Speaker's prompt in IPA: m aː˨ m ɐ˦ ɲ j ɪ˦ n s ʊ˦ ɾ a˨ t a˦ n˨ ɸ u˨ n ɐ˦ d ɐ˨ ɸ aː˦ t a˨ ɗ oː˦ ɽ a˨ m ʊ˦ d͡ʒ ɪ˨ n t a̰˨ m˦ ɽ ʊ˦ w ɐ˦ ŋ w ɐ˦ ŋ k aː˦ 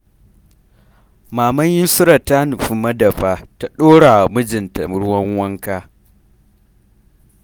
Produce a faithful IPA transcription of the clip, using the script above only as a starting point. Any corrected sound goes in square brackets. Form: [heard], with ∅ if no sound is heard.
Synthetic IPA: m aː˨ m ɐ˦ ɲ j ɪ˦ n s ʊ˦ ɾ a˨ t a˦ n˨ ɸ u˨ [m] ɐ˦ d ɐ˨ ɸ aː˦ t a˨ ɗ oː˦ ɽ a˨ m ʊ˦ d͡ʒ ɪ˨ n t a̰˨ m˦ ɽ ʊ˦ w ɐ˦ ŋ w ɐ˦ ŋ k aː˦